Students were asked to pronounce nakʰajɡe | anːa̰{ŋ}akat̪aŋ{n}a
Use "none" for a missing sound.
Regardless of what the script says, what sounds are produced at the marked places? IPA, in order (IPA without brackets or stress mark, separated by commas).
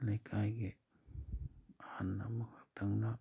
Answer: m, n